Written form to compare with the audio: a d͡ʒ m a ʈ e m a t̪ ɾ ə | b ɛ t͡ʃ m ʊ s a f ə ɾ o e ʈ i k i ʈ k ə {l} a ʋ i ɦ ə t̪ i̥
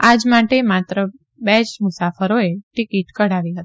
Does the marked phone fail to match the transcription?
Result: yes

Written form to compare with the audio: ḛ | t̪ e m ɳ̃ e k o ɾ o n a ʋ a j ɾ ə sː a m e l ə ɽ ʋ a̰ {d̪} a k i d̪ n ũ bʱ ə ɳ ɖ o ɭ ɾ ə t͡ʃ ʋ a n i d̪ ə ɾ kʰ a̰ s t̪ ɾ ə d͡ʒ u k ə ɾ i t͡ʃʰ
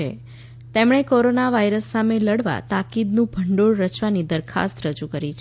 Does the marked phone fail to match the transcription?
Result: yes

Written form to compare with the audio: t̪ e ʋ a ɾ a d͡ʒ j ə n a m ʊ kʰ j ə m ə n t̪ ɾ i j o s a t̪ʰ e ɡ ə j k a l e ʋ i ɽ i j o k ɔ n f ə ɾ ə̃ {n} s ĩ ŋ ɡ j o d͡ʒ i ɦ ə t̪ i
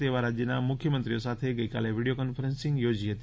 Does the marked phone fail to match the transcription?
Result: no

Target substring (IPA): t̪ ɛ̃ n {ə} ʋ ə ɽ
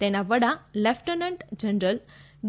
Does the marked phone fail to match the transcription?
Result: yes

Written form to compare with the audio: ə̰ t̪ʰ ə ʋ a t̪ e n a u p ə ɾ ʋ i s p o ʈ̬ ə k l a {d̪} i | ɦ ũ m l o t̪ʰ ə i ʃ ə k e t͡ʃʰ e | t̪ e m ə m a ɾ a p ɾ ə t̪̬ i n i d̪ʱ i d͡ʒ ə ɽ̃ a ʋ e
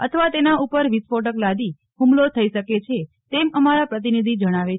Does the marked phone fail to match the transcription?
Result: no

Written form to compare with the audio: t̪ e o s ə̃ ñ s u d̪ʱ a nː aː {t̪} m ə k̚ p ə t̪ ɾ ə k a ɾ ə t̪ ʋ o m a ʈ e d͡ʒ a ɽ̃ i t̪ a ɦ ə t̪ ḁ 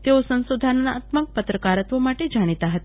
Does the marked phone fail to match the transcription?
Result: no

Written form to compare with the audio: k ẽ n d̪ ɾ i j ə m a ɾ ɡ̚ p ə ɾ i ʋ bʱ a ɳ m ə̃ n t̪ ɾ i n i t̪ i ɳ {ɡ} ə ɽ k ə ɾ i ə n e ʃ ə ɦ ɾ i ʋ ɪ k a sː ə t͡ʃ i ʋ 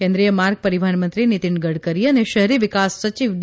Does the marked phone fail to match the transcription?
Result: no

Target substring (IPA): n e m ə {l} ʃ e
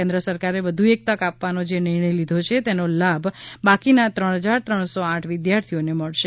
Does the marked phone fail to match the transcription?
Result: yes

